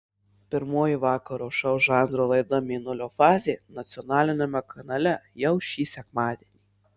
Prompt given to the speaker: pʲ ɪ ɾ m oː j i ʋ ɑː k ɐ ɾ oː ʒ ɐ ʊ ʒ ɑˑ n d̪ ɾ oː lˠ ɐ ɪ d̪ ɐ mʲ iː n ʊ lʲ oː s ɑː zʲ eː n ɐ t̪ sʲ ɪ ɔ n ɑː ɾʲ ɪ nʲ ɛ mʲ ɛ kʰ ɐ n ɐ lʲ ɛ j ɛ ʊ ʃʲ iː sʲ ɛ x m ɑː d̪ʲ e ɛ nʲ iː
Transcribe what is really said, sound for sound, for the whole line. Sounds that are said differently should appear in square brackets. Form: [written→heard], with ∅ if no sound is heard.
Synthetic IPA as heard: pʲ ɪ ɾ m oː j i ʋ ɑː k ɐ ɾ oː [ʒ→ʃ] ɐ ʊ ʒ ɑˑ n d̪ ɾ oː lˠ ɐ ɪ d̪ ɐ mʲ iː n ʊ lʲ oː [s→f] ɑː zʲ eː n ɐ t̪ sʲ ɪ ɔ n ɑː [ɾʲ→lʲ] ɪ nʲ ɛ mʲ ɛ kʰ ɐ n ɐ lʲ ɛ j ɛ ʊ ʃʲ iː sʲ ɛ [x→k] m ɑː d̪ʲ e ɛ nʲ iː